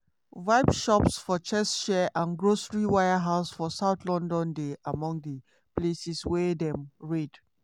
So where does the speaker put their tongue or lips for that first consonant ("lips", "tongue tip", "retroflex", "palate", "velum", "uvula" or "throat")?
lips